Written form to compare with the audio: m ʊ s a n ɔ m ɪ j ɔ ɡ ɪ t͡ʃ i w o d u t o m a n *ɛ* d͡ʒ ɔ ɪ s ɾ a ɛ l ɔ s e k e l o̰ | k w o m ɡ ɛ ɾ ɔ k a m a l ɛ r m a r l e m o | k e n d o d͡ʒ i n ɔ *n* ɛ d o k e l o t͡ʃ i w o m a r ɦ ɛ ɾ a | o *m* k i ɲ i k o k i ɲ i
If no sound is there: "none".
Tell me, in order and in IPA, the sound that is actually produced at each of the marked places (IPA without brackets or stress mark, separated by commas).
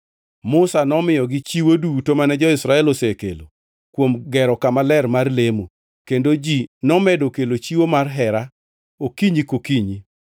ɛ, m, none